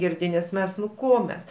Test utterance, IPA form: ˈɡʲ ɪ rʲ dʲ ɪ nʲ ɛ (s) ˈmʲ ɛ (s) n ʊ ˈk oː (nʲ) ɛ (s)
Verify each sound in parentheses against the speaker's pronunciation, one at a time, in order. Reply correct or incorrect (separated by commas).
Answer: correct, correct, incorrect, correct